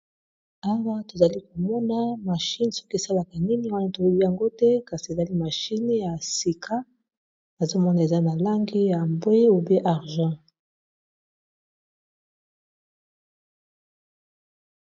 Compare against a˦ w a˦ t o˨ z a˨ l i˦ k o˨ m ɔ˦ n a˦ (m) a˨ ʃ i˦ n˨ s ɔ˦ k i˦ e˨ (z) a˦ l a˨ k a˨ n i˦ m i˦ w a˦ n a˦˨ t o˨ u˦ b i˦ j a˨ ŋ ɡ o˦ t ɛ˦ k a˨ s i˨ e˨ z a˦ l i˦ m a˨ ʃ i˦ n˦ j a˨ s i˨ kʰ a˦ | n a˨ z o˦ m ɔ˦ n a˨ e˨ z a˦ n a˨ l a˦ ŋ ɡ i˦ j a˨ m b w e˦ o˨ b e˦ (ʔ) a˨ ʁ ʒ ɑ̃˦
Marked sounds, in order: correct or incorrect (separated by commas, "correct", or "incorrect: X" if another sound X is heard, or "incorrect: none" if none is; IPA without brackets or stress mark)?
correct, incorrect: s, correct